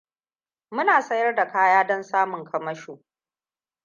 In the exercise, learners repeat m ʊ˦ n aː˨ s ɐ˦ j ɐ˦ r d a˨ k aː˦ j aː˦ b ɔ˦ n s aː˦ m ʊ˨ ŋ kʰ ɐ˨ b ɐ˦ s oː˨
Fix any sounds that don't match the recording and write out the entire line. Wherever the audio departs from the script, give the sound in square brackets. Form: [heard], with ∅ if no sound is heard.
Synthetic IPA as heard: m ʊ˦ n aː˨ s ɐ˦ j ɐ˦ r d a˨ k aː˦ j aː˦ [d] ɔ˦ n s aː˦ m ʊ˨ ŋ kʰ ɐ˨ [m] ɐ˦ [ʃ] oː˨